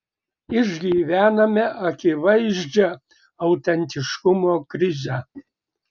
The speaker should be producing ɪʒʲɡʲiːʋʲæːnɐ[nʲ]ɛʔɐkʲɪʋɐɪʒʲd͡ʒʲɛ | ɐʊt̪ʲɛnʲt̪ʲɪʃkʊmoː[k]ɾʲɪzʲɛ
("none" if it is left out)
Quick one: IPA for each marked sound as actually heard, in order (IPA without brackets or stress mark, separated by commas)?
mʲ, k